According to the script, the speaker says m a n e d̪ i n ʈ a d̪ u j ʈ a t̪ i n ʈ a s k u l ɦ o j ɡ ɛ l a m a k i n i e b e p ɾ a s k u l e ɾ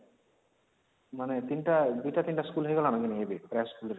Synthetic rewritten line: m a n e t̪ i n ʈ a d̪ u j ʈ a t̪ i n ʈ a s k u l ɦ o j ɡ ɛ l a n a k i n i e b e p ɾ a s k u l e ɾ